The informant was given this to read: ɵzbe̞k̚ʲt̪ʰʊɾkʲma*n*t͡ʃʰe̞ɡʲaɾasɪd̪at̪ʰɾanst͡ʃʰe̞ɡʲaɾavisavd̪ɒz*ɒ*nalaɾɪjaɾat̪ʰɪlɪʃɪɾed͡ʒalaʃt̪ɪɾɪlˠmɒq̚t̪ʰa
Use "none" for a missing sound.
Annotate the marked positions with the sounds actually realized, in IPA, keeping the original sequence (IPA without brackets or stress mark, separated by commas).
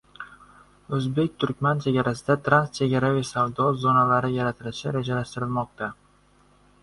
n, o